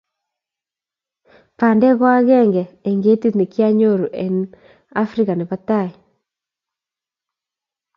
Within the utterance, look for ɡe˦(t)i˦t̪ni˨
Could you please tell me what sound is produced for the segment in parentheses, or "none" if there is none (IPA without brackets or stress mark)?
t